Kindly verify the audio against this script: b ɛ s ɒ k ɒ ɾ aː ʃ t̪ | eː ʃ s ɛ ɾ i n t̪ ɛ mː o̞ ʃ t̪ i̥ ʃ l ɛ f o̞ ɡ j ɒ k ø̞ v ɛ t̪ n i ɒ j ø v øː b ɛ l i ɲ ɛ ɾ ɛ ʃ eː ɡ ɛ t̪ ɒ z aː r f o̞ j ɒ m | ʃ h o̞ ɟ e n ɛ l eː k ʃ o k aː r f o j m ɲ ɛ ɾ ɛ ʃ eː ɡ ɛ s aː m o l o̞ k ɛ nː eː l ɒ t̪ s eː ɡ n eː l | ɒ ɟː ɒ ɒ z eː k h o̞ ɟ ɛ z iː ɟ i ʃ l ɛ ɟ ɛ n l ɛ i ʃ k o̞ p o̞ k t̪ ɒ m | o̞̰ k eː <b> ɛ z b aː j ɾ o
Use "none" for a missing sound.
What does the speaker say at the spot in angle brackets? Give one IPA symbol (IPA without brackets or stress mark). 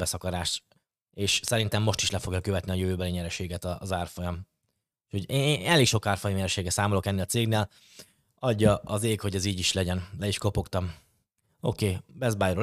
b